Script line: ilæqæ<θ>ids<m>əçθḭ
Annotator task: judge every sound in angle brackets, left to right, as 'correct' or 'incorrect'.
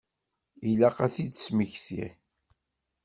correct, correct

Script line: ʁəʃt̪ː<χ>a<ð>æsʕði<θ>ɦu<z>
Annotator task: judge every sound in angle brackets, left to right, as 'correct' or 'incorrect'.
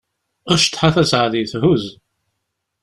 incorrect: ħ, incorrect: θ, correct, correct

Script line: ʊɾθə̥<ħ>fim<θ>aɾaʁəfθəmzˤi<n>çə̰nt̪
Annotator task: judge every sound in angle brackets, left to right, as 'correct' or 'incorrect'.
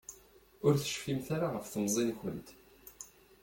incorrect: ʃ, correct, correct

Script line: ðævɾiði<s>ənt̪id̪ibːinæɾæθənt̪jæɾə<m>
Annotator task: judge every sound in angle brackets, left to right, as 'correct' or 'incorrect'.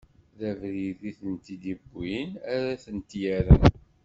incorrect: θ, incorrect: n

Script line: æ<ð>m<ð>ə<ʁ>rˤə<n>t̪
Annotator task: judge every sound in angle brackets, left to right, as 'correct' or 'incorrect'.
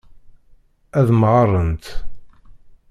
correct, incorrect: ʁ, incorrect: none, correct

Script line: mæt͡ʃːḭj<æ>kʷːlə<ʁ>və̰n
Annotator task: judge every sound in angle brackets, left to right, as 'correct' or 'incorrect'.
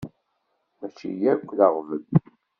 correct, correct

